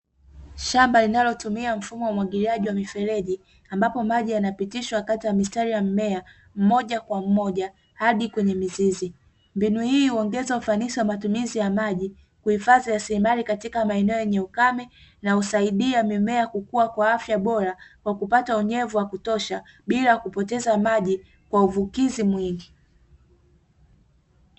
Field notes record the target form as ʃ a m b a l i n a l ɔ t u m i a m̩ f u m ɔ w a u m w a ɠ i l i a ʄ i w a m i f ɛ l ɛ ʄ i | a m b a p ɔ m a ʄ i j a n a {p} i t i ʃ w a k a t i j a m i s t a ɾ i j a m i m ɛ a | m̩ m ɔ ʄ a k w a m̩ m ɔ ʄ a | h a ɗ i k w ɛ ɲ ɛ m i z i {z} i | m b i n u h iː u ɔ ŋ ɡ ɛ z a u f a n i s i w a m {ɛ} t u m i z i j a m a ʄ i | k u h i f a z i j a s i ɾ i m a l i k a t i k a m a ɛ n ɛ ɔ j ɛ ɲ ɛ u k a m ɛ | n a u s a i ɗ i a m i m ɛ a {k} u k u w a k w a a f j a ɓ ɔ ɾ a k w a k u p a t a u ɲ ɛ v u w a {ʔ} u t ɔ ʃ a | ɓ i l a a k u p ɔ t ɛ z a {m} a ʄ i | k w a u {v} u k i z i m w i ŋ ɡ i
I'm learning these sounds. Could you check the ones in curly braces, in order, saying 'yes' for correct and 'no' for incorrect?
yes, yes, no, yes, no, yes, yes

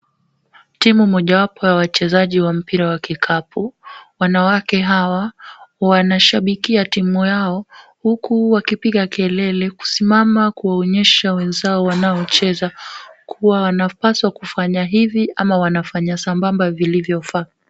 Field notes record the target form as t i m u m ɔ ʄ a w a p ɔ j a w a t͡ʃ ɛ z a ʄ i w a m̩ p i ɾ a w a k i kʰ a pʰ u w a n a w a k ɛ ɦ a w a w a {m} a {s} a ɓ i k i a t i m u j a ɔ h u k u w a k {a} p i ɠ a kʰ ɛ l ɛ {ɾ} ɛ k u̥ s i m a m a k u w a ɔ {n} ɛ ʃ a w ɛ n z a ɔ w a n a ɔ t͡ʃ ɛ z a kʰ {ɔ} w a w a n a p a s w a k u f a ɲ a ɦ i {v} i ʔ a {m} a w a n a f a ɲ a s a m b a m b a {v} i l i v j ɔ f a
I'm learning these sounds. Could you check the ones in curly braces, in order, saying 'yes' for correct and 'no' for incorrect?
no, no, no, no, no, no, yes, yes, yes

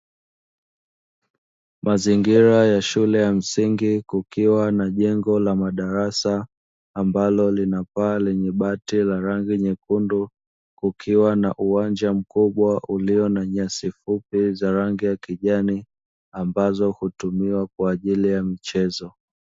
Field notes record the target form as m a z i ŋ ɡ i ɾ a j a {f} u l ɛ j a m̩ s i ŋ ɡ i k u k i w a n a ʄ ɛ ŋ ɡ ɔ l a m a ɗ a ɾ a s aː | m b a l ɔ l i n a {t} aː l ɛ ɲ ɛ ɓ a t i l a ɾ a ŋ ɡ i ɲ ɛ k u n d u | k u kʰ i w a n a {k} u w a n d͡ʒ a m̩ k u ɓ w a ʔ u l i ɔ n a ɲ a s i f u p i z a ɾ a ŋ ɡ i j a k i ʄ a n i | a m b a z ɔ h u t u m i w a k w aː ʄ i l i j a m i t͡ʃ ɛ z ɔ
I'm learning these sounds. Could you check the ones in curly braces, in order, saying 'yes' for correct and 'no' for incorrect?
no, no, no

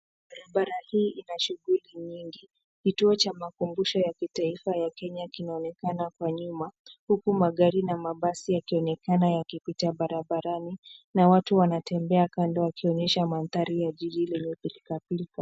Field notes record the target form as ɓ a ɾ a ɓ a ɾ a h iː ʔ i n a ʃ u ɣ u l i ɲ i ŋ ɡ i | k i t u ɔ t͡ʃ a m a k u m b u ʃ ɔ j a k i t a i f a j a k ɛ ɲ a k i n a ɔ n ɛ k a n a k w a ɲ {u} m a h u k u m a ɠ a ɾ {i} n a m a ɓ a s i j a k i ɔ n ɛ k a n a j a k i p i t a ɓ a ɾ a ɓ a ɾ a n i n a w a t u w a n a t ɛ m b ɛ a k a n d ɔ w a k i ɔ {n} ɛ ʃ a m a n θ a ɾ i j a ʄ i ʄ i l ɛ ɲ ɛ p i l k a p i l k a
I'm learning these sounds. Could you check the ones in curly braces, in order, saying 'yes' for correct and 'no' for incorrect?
yes, yes, no

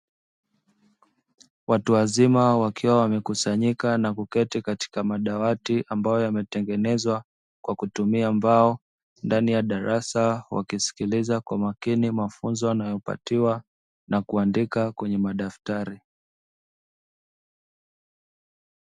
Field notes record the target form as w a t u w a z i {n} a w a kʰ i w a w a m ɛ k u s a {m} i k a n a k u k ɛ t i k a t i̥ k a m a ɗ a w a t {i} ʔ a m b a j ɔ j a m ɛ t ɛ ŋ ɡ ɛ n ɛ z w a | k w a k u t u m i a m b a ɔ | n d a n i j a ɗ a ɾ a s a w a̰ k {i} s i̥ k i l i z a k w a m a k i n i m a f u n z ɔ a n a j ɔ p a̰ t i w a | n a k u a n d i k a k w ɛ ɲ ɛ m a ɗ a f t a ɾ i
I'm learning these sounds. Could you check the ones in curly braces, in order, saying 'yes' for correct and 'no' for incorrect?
no, no, yes, yes

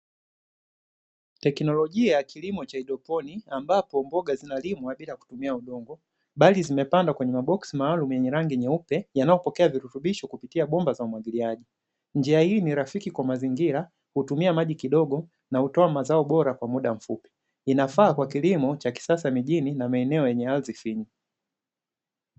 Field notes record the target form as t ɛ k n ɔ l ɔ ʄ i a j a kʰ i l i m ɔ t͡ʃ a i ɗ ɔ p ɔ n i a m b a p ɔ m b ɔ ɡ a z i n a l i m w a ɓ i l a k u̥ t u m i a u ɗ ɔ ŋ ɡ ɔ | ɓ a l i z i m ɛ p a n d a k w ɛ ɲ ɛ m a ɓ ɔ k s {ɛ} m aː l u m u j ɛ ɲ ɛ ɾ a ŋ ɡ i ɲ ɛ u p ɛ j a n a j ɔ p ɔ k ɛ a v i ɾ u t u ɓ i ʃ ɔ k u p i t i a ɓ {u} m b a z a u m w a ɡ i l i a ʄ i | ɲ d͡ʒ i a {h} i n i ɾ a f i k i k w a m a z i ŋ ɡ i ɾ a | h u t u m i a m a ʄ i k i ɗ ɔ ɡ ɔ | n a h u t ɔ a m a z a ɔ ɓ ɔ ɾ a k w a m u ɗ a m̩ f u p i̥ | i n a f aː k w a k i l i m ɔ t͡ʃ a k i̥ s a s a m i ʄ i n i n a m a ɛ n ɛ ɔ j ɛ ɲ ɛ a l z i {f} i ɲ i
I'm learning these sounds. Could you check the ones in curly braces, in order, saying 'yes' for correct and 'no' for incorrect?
no, no, yes, yes

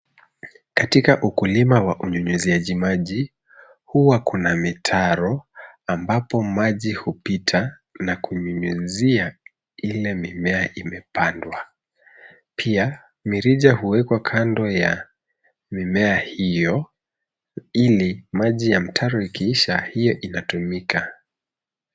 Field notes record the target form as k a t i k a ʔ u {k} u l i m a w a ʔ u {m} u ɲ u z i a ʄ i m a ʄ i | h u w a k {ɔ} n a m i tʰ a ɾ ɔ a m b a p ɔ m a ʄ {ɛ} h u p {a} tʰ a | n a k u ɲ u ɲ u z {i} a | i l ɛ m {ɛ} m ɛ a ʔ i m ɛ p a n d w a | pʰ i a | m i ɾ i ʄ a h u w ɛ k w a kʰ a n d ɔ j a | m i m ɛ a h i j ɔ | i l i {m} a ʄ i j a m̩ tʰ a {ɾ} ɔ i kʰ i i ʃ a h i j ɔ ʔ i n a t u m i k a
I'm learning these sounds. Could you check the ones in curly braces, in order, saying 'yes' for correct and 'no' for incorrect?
yes, no, no, no, no, yes, no, yes, yes

